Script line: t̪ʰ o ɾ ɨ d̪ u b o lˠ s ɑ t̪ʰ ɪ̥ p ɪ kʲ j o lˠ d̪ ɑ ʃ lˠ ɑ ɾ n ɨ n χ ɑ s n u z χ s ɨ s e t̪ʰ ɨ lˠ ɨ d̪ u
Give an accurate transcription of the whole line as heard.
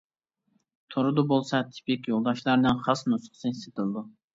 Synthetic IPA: t̪ʰ o ɾ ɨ d̪ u b o lˠ s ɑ t̪ʰ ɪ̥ p ɪ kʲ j o lˠ d̪ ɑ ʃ lˠ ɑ ɾ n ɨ n χ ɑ s n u s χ s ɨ s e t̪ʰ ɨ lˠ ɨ d̪ u